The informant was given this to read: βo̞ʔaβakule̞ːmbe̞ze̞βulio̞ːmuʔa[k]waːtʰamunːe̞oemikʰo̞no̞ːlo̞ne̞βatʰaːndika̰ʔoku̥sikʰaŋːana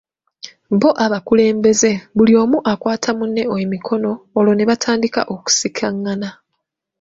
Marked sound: correct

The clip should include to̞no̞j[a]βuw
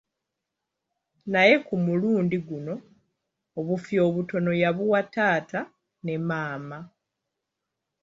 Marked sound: correct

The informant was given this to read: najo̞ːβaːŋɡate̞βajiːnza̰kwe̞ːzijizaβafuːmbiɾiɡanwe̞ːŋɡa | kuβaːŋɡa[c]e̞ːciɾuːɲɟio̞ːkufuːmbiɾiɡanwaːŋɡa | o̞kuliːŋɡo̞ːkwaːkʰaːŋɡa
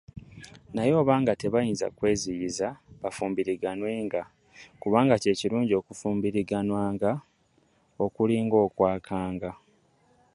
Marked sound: correct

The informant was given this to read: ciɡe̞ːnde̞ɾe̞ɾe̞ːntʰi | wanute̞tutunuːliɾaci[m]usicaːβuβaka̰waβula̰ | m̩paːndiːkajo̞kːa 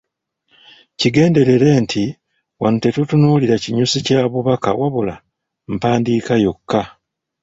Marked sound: incorrect: ɲ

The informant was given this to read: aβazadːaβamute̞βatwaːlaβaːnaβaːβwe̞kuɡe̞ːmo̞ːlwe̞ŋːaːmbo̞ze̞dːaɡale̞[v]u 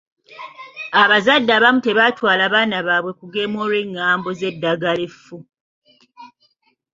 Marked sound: incorrect: f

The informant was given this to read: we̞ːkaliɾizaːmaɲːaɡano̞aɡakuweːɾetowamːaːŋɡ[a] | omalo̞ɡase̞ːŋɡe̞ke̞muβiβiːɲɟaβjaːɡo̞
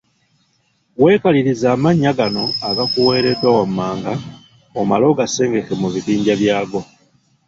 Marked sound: correct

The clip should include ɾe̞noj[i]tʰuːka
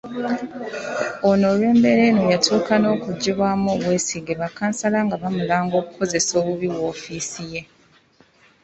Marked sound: incorrect: a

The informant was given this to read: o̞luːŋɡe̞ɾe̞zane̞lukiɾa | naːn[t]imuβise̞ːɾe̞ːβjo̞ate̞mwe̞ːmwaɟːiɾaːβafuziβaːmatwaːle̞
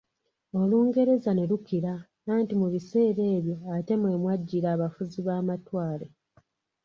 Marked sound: correct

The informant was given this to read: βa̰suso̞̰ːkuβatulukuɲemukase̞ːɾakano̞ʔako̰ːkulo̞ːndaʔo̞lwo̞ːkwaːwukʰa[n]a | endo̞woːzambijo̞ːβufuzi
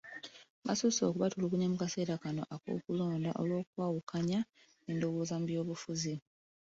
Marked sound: incorrect: ɲ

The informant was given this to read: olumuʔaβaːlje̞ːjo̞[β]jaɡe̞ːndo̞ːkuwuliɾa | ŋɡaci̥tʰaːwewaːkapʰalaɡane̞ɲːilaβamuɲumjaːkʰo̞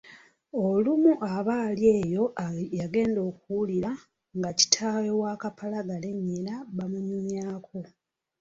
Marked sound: incorrect: none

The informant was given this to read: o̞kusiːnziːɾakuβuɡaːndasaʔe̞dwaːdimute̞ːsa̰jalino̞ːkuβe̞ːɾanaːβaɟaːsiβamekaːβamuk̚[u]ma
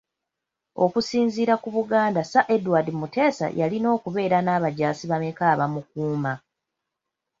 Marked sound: incorrect: uː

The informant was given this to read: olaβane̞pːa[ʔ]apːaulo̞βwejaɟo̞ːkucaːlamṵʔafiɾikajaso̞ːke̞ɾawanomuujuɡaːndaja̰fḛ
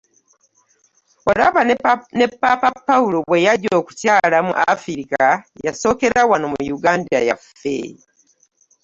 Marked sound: incorrect: p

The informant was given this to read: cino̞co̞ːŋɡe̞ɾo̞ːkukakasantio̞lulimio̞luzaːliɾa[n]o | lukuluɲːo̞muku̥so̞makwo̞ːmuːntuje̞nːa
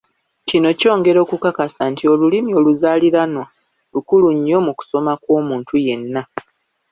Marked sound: correct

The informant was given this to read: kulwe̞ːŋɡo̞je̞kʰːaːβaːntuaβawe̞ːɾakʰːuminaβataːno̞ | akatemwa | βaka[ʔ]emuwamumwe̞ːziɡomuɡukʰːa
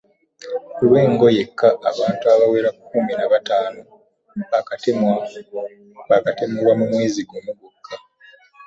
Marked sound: incorrect: t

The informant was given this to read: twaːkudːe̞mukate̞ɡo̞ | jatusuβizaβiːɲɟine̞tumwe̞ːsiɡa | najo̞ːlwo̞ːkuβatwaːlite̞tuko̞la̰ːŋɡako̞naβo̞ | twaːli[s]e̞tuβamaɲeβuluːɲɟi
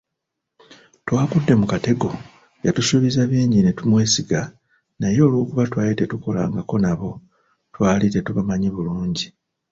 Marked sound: incorrect: t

